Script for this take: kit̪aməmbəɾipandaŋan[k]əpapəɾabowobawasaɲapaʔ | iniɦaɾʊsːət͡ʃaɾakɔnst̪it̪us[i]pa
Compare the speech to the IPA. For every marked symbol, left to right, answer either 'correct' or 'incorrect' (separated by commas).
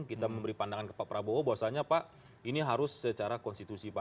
correct, correct